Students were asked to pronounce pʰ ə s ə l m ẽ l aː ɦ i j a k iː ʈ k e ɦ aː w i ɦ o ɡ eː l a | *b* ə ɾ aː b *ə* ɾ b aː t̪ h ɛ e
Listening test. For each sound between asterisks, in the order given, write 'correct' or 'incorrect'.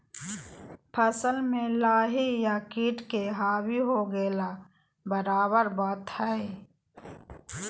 correct, correct

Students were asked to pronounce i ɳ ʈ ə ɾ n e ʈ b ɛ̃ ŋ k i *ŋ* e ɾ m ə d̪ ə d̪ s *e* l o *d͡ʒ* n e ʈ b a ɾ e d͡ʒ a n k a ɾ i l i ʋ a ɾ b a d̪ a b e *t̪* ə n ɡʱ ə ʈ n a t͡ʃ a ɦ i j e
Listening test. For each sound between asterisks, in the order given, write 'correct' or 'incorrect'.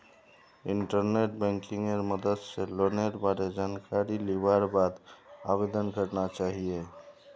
correct, correct, incorrect: none, incorrect: d̪

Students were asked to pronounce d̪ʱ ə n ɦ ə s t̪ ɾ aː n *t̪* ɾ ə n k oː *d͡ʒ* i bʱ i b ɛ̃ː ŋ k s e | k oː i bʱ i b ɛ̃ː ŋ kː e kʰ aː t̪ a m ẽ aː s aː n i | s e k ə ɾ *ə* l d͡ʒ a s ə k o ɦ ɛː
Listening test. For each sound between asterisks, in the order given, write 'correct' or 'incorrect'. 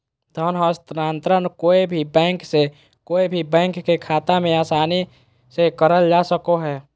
correct, incorrect: none, correct

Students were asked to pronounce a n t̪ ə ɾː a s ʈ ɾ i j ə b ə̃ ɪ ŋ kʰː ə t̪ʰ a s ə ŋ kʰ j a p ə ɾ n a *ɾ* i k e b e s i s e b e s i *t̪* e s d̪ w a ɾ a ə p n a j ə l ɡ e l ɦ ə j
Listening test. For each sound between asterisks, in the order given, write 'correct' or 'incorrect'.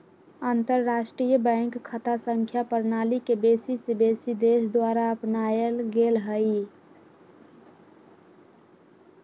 incorrect: l, incorrect: d̪

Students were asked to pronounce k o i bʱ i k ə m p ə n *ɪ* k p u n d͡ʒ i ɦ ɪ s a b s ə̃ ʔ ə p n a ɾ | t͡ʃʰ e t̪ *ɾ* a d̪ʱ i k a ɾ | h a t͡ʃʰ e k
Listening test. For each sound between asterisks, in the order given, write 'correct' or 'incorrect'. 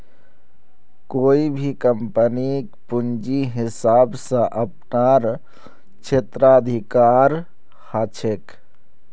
incorrect: i, correct

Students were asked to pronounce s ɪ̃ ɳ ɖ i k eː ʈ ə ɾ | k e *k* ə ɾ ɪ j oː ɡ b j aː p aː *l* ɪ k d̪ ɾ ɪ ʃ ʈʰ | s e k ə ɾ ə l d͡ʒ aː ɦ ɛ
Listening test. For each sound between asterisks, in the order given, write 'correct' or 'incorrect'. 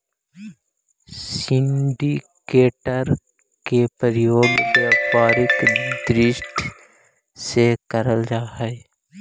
incorrect: p, incorrect: ɾ

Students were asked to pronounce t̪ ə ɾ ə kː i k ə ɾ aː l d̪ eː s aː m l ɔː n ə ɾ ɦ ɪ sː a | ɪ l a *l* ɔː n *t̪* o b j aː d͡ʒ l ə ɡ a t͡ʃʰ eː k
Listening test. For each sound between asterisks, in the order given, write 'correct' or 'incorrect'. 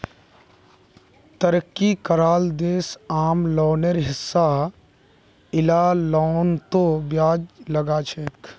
correct, correct

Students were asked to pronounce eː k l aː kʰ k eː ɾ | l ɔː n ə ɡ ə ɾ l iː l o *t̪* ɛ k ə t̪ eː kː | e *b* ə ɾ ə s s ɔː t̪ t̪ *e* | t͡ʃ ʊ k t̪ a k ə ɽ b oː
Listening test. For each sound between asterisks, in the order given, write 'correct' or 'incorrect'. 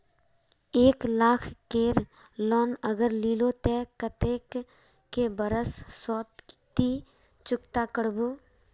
correct, correct, incorrect: i

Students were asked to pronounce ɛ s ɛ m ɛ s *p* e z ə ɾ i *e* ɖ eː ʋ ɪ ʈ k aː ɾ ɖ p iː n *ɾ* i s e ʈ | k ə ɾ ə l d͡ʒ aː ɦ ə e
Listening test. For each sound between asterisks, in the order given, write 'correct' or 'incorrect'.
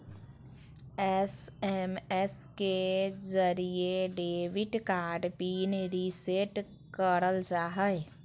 incorrect: k, correct, correct

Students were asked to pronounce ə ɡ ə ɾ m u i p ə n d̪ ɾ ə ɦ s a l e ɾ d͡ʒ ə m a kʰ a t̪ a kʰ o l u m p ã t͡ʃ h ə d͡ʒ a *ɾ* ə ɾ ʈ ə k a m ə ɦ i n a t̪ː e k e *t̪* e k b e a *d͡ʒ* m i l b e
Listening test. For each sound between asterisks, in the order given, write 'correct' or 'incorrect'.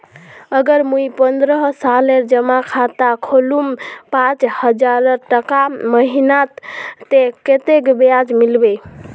correct, correct, correct

